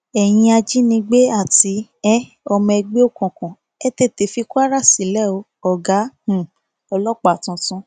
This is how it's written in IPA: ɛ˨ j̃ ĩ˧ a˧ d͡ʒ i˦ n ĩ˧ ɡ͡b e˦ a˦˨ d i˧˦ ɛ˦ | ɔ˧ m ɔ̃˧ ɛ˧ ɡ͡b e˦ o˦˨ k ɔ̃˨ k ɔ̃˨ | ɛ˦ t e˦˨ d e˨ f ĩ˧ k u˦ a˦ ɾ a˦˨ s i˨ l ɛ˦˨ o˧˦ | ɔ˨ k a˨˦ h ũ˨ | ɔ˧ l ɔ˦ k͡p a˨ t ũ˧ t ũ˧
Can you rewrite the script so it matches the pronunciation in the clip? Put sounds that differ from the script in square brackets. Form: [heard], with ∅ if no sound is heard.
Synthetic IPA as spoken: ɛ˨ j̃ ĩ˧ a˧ d͡ʒ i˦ n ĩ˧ ɡ͡b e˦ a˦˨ [t] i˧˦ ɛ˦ | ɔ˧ m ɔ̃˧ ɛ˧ ɡ͡b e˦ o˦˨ k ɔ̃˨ k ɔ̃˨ | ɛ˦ t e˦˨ [t] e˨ f [i˧] k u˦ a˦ ɾ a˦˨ s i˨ l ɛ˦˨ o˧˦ | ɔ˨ [ɡ] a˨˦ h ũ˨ | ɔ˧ l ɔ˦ k͡p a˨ t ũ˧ t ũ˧